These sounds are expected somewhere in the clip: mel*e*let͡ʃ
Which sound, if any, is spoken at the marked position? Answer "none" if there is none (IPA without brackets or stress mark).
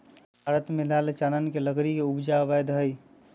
a